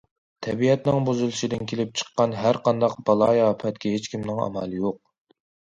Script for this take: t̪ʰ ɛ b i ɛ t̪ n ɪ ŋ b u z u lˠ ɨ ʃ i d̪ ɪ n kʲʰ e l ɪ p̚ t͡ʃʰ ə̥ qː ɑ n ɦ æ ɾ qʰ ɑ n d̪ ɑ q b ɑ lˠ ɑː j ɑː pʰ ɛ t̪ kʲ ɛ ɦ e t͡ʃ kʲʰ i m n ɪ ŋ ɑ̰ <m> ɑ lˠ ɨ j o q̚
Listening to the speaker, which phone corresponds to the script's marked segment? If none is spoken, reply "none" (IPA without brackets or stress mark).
m